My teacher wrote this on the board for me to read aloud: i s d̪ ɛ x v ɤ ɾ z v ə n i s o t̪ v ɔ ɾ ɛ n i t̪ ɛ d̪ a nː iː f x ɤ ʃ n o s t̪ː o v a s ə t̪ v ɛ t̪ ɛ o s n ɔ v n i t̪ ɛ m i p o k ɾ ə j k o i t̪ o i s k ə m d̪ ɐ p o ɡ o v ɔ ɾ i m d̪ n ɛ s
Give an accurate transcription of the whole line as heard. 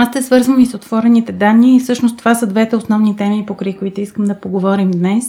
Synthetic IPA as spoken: a s t̪ ɛ s v ɤ ɾ z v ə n i s o t̪ v ɔ ɾ ɛ n i t̪ ɛ d̪ a nː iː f s ɤ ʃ n o s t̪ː o v a s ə d̪ v ɛ t̪ ɛ o s n ɔ v n i t̪ ɛ m i p o k ɾ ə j k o i t̪ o i s k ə m d̪ ɐ p o ɡ o v ɔ ɾ i m d̪ n ɛ s